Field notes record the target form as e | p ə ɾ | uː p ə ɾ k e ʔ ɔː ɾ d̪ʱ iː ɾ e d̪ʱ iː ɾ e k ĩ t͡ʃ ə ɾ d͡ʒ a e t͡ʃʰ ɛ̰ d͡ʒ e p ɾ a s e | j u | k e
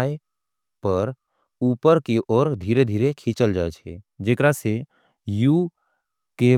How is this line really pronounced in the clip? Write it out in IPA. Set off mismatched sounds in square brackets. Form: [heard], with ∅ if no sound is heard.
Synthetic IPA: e | p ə ɾ | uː p ə ɾ k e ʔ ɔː ɾ d̪ʱ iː ɾ e d̪ʱ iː ɾ e [kʰ] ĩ t͡ʃ ə [l] d͡ʒ a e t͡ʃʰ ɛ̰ d͡ʒ e [k] ɾ a s e | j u | k e